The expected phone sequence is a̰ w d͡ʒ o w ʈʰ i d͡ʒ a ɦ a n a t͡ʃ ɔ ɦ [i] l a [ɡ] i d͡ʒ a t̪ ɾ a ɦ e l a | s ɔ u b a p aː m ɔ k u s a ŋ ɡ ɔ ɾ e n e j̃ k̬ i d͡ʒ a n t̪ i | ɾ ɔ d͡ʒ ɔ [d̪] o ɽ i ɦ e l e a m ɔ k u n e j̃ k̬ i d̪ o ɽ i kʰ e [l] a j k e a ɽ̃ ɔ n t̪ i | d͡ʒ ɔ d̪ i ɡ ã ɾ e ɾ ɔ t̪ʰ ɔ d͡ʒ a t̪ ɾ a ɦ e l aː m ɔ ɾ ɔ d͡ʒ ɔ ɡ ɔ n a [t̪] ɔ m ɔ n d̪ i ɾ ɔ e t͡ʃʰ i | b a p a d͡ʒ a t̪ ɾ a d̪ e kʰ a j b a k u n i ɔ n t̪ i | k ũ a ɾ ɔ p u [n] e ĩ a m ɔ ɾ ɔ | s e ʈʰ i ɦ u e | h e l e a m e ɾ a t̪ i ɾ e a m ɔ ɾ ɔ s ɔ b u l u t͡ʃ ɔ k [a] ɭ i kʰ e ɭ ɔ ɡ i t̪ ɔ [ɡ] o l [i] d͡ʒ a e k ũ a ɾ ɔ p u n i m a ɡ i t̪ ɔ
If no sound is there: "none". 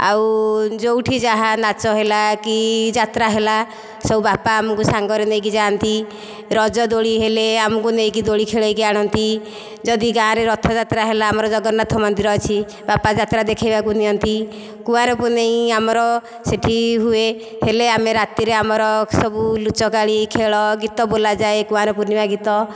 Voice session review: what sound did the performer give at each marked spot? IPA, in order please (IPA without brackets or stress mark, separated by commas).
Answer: e, k, d̪, ɭ, t̪ʰ, n, a, b, a